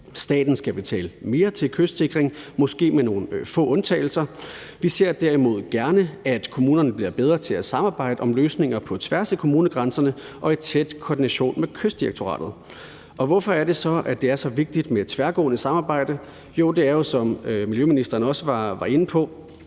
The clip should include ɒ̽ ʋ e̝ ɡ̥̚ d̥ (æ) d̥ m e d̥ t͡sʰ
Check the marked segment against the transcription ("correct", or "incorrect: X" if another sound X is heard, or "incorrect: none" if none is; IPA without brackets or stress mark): incorrect: i